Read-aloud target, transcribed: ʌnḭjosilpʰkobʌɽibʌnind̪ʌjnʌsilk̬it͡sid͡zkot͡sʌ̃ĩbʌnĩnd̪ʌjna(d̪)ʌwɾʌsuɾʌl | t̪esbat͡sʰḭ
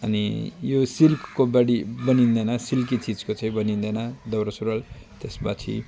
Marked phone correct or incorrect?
correct